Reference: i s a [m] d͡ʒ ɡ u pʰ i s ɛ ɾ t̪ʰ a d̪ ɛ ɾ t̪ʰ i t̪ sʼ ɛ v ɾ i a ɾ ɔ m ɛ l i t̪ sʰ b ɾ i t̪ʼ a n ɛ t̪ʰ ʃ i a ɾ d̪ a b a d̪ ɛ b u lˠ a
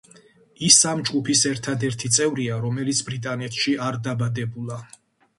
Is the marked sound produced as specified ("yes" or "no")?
yes